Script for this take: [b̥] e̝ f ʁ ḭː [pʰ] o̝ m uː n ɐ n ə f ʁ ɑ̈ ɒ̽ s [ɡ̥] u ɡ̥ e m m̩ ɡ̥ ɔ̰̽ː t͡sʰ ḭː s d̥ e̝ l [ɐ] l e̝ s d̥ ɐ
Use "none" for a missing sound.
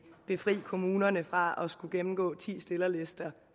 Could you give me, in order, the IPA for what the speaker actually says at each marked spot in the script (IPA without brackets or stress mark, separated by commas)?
b̥, kʰ, ɡ̥, ɐ